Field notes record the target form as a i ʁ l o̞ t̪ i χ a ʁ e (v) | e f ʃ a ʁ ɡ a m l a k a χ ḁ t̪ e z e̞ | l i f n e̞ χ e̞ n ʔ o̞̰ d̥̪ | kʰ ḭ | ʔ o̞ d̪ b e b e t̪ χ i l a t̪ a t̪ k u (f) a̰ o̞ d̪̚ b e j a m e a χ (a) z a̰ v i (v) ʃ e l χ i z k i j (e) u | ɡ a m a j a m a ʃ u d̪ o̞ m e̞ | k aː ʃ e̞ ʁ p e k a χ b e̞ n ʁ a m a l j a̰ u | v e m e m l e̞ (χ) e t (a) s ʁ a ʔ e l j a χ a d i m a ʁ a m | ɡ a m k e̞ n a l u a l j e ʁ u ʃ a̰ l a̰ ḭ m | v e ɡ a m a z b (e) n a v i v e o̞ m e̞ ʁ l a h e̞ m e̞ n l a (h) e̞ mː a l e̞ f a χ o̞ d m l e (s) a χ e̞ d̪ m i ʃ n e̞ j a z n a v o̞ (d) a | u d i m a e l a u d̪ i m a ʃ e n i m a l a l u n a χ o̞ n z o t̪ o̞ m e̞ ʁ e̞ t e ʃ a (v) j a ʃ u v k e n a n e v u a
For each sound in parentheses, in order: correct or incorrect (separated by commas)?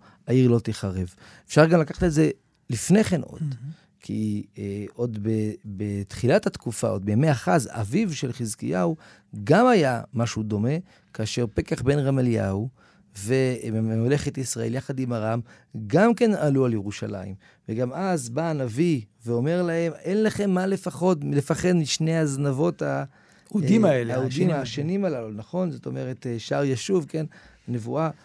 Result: correct, correct, correct, correct, incorrect, correct, incorrect, incorrect, incorrect, incorrect, incorrect, incorrect